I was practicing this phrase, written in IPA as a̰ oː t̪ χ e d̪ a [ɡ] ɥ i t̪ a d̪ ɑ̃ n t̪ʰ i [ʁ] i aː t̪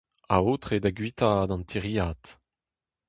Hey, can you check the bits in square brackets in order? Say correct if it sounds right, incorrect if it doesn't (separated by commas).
correct, correct